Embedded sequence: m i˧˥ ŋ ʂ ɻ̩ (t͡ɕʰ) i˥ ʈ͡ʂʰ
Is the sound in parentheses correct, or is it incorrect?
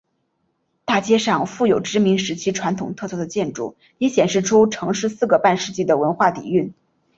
correct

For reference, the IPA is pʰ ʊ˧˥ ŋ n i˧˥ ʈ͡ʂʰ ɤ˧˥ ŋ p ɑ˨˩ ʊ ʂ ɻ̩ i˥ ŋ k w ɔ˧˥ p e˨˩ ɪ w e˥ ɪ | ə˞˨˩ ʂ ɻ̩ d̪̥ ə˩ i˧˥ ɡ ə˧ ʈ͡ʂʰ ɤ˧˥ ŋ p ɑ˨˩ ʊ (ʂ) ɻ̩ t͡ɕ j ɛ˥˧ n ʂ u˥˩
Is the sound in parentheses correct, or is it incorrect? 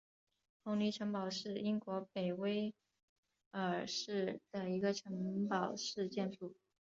correct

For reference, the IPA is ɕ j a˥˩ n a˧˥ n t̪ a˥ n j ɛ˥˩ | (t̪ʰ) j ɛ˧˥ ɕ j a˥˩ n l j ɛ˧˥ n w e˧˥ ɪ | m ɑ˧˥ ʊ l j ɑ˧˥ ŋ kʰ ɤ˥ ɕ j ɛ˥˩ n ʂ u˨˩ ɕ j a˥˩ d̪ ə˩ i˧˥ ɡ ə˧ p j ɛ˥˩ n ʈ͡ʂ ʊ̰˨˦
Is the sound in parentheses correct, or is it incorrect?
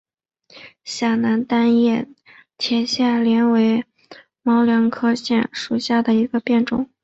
correct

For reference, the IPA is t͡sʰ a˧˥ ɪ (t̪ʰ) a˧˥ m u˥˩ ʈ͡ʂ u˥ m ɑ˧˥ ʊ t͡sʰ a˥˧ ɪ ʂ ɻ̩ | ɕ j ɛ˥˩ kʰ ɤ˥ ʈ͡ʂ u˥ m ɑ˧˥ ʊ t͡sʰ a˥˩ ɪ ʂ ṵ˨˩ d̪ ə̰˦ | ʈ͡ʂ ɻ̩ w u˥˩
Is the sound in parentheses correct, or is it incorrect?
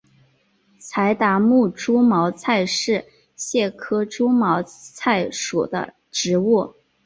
incorrect: t̪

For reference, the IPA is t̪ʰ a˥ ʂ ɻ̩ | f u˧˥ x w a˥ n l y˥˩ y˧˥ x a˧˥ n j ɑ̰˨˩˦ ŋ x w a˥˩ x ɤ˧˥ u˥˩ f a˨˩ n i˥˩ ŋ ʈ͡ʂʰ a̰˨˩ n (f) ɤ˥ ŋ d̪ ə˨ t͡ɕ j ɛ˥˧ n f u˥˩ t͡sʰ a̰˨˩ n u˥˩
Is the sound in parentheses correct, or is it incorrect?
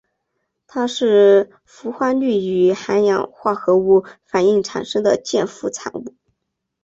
incorrect: ʂ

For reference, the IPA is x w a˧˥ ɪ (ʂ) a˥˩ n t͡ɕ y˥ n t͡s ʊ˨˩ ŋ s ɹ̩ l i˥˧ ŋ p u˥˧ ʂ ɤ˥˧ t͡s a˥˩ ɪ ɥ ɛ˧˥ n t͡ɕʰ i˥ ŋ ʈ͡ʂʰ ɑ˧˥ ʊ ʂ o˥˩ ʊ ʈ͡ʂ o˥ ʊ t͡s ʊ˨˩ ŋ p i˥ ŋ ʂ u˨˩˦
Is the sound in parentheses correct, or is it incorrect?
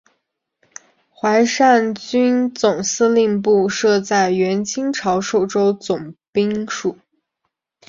correct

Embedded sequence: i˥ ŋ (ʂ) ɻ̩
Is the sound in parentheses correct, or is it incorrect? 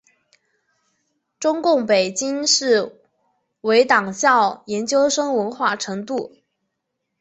correct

